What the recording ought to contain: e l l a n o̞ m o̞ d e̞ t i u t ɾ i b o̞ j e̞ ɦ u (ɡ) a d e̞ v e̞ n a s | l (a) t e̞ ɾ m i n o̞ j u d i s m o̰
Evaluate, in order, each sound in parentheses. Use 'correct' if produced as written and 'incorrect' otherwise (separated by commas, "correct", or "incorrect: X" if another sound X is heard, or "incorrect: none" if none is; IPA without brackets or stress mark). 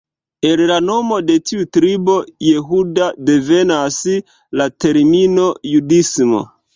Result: incorrect: d, correct